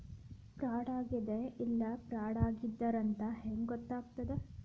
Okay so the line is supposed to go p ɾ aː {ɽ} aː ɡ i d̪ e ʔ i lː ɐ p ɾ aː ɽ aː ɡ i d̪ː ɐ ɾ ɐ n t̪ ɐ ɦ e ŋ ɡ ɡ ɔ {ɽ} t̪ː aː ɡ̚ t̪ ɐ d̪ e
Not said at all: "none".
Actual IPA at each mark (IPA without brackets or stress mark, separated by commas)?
ɽ, none